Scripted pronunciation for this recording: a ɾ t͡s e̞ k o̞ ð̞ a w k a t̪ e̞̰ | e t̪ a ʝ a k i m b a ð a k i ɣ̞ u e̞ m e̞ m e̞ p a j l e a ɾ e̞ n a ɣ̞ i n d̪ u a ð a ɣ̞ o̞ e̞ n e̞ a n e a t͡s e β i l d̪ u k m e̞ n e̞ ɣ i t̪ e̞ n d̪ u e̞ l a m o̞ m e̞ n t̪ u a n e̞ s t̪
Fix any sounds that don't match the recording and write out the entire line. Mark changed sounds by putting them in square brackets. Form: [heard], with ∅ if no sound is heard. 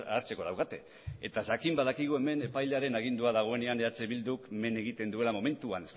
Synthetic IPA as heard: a ɾ t͡s e̞ k o̞ ð̞ a w k a t̪ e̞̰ | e t̪ a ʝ a k i m b a ð a k i ɣ̞ u e̞ m e̞ [n] e̞ p a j l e a ɾ e̞ n a ɣ̞ i n d̪ u a ð a ɣ̞ o̞ e̞ n e̞ a n e a t͡s e β i l d̪ u k m e̞ n e̞ ɣ i t̪ e̞ n d̪ u e̞ l a m o̞ m e̞ n t̪ u a n e̞ s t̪